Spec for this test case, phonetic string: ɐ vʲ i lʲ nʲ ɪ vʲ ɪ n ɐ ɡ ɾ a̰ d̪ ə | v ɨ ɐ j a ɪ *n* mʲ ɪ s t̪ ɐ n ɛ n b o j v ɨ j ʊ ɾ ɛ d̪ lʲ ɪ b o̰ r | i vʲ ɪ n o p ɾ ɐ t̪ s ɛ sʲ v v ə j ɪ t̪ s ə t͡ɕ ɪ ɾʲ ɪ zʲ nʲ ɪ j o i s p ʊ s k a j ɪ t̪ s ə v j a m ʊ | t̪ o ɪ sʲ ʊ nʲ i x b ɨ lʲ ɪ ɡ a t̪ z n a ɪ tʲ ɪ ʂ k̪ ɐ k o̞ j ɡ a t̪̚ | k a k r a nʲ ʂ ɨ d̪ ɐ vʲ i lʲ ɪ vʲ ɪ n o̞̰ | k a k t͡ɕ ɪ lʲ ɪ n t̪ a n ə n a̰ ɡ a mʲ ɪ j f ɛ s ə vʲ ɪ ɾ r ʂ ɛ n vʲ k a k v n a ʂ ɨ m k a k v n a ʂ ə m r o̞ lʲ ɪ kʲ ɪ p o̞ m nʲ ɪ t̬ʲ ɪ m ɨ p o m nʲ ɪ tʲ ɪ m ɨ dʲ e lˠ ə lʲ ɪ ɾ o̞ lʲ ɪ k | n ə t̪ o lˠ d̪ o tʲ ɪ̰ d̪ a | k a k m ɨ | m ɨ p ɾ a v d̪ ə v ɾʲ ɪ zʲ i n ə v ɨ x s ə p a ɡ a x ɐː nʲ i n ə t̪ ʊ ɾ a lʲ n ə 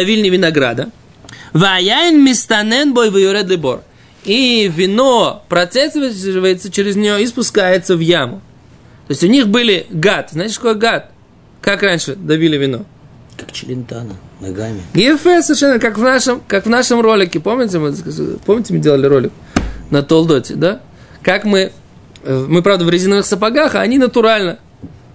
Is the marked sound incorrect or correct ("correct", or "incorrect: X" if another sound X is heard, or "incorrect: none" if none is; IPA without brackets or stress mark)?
correct